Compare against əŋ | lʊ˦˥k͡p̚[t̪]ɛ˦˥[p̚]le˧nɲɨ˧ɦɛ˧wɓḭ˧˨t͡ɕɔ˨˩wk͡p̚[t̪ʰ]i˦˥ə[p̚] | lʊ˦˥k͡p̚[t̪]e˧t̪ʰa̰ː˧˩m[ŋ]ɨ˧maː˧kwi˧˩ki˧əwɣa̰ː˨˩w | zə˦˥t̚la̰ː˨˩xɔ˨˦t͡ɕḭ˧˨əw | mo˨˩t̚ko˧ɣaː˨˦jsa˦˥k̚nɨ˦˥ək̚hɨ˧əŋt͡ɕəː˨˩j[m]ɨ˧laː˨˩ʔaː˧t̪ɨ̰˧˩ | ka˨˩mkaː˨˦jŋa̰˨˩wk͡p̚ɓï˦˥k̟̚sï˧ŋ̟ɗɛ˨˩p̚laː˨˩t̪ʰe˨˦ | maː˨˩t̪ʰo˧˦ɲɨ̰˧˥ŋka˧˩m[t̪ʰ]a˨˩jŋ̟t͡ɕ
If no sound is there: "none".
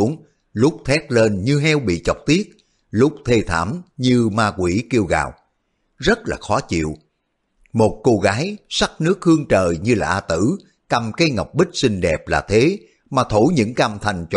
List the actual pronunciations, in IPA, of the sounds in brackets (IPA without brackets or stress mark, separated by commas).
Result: t̪ʰ, t̚, t̪, t̚, t̪ʰ, ɲ, ɲ, t̪ʰ